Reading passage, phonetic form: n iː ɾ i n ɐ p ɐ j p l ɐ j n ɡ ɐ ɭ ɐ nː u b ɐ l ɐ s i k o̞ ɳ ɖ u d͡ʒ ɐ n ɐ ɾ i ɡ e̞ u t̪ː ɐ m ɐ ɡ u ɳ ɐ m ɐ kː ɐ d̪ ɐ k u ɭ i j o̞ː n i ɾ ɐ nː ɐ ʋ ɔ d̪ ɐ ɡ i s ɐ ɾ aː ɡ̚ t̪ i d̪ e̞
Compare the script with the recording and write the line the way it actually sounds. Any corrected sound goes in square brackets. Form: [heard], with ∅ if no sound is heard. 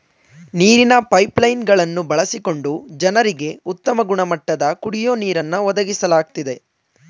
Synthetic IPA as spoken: n iː ɾ i n ɐ p ɐ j p l ɐ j n ɡ ɐ ɭ ɐ nː u b ɐ [ɭ] ɐ s i k o̞ ɳ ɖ u d͡ʒ ɐ n ɐ ɾ i ɡ e̞ u t̪ː ɐ m ɐ ɡ u ɳ ɐ m ɐ [ʈː] ɐ d̪ ɐ k u [ɽ] i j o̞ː n [iː] ɾ ɐ nː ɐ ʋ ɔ d̪ ɐ ɡ i s ɐ [l] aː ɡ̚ t̪ i d̪ e̞